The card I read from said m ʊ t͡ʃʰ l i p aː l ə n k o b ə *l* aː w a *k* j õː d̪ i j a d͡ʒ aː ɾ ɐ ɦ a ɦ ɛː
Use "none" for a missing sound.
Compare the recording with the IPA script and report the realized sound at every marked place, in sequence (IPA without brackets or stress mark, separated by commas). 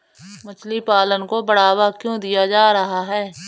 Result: ɽ, k